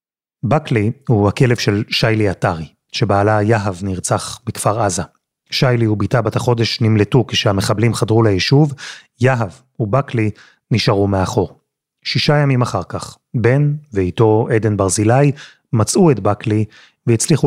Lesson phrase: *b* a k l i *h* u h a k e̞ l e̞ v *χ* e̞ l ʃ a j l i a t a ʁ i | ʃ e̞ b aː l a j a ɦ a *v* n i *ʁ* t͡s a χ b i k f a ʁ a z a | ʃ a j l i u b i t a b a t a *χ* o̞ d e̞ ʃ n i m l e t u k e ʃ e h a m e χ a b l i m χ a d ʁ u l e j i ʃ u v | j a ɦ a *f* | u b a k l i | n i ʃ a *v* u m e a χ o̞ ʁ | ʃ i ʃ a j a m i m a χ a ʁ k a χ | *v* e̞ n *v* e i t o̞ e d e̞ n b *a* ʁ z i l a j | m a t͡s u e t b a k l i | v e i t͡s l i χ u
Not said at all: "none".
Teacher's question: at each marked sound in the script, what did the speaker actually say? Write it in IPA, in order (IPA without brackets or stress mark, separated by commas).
b, h, ʃ, v, ʁ, χ, v, ʁ, b, v, a